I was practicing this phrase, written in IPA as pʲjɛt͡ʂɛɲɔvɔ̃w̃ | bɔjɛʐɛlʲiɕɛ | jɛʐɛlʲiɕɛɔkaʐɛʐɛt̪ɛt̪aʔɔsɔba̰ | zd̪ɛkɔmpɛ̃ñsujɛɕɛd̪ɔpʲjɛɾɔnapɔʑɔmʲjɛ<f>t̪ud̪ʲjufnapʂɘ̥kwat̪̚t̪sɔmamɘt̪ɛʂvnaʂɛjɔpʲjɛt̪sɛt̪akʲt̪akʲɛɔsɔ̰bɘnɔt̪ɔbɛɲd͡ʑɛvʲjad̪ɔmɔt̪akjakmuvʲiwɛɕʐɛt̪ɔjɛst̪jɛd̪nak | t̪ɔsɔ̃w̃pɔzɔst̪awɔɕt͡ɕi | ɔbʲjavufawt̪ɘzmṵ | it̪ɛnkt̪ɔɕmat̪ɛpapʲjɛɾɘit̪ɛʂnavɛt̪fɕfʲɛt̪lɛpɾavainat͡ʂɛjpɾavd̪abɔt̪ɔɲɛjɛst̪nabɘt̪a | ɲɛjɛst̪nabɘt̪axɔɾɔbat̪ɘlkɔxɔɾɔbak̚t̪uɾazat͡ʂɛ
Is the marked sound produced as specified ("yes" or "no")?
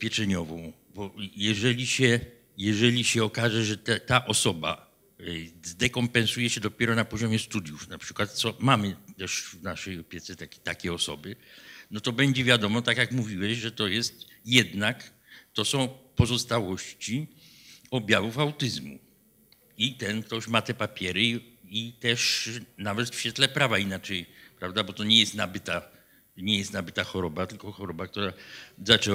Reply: no